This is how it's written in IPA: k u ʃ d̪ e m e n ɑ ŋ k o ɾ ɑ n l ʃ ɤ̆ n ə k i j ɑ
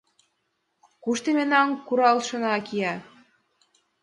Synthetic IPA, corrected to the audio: k u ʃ t̪ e m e n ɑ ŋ k u ɾ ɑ l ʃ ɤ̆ n ɑ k i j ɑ